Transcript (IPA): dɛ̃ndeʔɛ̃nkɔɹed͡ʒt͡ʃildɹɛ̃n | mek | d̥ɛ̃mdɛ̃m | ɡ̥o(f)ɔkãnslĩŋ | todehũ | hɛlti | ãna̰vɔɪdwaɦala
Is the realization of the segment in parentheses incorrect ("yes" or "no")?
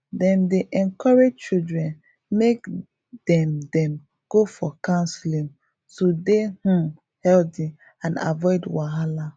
no